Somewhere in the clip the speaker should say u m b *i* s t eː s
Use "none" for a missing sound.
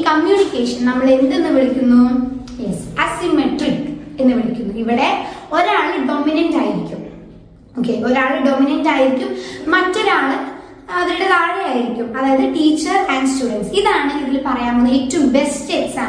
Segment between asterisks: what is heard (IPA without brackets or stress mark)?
e